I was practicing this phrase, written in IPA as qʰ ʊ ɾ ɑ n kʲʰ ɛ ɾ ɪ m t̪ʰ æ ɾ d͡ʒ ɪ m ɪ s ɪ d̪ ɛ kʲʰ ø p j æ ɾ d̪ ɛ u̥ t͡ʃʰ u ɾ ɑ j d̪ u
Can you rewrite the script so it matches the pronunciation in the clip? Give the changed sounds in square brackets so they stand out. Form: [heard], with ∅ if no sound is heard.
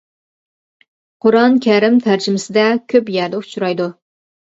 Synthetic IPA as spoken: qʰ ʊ ɾ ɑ n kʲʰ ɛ ɾ ɪ m t̪ʰ æ ɾ d͡ʒ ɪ m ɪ s ɪ d̪ ɛ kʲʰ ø p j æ ɾ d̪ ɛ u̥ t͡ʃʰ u ɾ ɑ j d̪ u